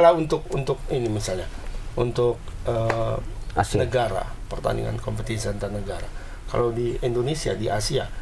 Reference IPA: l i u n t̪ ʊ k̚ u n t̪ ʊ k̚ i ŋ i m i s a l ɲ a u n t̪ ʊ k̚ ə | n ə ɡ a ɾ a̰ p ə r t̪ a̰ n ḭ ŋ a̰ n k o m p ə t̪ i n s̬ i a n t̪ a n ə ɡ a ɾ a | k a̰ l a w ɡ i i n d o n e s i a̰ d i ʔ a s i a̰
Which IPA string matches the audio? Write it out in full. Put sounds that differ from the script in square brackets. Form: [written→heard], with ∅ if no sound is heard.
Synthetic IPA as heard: l [i→a] u n t̪ ʊ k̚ u n t̪ ʊ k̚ i [ŋ→n] i m i s a l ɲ a u n t̪ ʊ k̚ ə | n ə ɡ a ɾ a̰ p ə r t̪ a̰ n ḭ ŋ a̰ n k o m p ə t̪ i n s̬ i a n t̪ a n ə ɡ a ɾ a | k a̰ l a w [ɡ→d] i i n d o n e s i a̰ d i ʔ a s i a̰